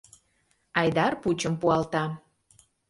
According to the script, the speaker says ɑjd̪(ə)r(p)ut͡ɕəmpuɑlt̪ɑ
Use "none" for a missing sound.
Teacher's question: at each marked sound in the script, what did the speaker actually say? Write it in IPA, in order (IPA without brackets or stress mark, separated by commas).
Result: ɑ, p